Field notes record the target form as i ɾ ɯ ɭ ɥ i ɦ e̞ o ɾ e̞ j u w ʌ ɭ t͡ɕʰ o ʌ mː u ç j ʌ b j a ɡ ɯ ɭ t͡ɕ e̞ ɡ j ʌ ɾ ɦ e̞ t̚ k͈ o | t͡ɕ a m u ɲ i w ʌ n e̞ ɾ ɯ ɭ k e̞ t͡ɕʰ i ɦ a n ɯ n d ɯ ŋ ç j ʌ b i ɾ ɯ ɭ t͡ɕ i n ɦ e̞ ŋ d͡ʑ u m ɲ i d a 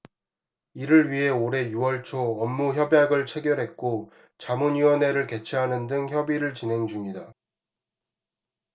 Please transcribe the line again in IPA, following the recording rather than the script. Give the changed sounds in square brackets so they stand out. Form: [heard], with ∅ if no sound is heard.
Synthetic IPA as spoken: i ɾ ɯ ɭ ɥ i ɦ e̞ o ɾ e̞ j u w ʌ ɭ t͡ɕʰ o ʌ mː u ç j ʌ b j a ɡ ɯ ɭ [t͡ɕʰ] e̞ ɡ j ʌ ɾ ɦ e̞ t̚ k͈ o | t͡ɕ a m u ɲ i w ʌ n e̞ ɾ ɯ ɭ k e̞ t͡ɕʰ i ɦ a n ɯ n d ɯ ŋ ç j ʌ b i ɾ ɯ ɭ t͡ɕ i n ɦ e̞ ŋ d͡ʑ u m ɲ i d a